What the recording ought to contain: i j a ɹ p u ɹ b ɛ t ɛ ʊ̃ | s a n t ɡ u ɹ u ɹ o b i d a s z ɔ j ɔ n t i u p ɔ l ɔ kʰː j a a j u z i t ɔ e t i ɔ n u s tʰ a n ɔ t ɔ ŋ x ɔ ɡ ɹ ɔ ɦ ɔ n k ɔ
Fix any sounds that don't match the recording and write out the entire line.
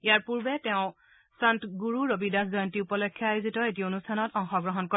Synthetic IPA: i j a ɹ p u ɹ b ɛ t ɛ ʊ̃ | s a n t ɡ u ɹ u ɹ o b i d a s z ɔ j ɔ n t i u p ɔ l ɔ kʰː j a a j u z i t ɔ e t i o n u s tʰ a n ɔ t ɔ ŋ x ɔ ɡ ɹ ɔ ɦ ɔ n k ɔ